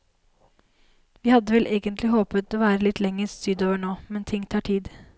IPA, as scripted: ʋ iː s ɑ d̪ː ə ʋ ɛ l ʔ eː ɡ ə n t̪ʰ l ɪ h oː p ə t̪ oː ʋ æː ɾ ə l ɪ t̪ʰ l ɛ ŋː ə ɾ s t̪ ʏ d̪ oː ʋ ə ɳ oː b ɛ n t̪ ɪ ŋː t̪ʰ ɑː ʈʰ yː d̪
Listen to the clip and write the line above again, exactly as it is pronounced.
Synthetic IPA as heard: ʋ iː h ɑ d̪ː ə ʋ ɛ l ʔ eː ɡ ə n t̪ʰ l ɪ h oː p ə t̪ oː ʋ æː ɾ ə l ɪ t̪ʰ l ɛ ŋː ə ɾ s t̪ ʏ d̪ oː ʋ ə ɳ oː m ɛ n t̪ʰ ɪ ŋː t̪ʰ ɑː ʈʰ iː d̪